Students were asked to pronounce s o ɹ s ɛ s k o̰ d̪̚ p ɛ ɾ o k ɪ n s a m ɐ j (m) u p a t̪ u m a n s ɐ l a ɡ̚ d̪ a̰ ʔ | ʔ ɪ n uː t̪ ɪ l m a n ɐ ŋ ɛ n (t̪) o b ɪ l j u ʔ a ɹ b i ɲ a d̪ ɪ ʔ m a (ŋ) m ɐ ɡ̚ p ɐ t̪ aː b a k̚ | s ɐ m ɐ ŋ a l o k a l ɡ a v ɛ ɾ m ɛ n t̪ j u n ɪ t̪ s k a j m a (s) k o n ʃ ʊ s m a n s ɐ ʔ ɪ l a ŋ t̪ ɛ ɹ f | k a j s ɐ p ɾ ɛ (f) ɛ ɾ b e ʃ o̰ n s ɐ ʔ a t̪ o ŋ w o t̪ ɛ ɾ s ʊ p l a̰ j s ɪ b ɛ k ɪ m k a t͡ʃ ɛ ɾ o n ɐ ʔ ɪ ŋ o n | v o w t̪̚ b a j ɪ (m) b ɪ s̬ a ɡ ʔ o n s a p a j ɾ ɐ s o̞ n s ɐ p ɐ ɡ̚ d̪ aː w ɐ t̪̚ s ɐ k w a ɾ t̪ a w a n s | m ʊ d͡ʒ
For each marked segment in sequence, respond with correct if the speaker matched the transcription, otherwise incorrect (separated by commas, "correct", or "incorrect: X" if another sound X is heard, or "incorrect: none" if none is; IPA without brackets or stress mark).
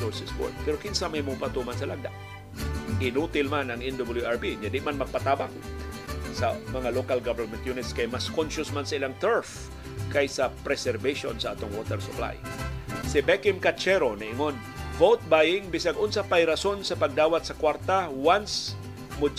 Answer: correct, incorrect: d̪, incorrect: n, correct, incorrect: s, incorrect: ŋ